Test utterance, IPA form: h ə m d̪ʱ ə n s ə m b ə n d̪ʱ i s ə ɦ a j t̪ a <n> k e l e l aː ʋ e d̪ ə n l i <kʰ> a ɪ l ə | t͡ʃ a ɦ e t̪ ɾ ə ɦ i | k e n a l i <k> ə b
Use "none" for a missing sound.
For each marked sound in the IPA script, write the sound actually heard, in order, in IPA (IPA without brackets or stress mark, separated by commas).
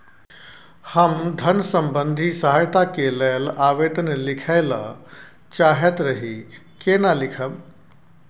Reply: none, kʰ, kʰ